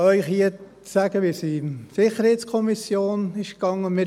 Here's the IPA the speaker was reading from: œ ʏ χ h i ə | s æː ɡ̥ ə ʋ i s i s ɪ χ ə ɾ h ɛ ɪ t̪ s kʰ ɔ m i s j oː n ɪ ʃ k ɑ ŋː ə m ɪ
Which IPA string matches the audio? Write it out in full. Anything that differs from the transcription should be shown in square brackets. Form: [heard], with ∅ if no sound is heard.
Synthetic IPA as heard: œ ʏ χ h i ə | s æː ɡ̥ ə ʋ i s i s ɪ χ ə ɾ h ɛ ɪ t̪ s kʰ ɔ m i s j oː n ɪ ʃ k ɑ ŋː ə m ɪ